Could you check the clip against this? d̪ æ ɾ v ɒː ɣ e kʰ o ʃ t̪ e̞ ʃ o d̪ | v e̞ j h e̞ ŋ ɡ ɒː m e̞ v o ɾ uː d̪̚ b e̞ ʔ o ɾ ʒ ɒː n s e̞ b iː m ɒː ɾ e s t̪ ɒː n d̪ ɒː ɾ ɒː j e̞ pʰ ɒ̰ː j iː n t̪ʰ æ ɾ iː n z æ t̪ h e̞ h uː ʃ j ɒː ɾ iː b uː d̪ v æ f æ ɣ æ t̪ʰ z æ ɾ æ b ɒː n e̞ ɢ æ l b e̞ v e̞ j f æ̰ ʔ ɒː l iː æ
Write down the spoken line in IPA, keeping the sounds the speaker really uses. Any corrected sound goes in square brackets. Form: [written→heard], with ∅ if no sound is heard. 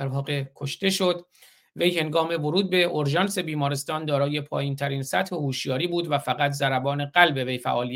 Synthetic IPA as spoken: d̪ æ ɾ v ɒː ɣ e kʰ o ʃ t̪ e̞ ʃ o d̪ | v e̞ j h e̞ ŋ ɡ ɒː m e̞ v o ɾ uː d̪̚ b e̞ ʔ o ɾ ʒ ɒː n s e̞ b iː m ɒː ɾ e s t̪ ɒː n d̪ ɒː ɾ ɒː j e̞ pʰ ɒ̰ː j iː n t̪ʰ æ ɾ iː n [z→s] æ t̪ h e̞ h uː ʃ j ɒː ɾ iː b uː d̪ v æ f æ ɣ æ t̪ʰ z æ ɾ æ b ɒː n e̞ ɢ æ l b e̞ v e̞ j f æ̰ ʔ ɒː l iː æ